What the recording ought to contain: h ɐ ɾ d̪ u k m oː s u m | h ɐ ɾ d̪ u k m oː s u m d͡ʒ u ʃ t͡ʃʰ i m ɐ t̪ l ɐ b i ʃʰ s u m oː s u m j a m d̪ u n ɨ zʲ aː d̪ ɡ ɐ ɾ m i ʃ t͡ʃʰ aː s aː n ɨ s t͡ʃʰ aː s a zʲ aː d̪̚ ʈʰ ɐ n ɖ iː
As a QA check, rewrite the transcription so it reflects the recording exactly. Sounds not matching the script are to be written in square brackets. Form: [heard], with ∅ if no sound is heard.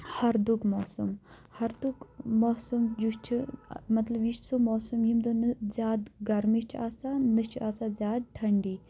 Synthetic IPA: h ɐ ɾ d̪ u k m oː s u m | h ɐ ɾ d̪ u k m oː s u m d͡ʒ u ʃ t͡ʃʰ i m ɐ t̪ l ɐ b i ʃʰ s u m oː s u m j [i] m d̪ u n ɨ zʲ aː d̪ ɡ ɐ ɾ m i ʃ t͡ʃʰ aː s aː n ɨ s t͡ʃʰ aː s a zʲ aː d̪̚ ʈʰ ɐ [ɳ] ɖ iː